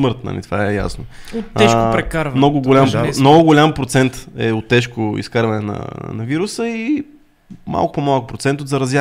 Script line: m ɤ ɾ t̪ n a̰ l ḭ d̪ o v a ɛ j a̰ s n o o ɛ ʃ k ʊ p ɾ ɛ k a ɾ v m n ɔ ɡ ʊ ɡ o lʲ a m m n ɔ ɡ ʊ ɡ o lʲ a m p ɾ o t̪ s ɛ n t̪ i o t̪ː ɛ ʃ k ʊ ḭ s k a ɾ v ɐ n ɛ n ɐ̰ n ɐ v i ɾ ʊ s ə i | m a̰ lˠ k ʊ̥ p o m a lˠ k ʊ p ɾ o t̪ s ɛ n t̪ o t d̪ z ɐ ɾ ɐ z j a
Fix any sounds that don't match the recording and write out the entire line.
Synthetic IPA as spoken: m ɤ ɾ t̪ n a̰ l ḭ t̪ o v a ɛ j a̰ s n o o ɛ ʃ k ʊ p ɾ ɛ k a ɾ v m n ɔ ɡ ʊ ɡ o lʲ a m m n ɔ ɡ ʊ ɡ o lʲ a m p ɾ o t̪ s ɛ n t̪ ɛ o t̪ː ɛ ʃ k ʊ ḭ s k a ɾ v ɐ n ɛ n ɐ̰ n ɐ v i ɾ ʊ s ə i | m a̰ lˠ k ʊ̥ p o m a lˠ k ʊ p ɾ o t̪ s ɛ n t̪ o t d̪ z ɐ ɾ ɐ z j a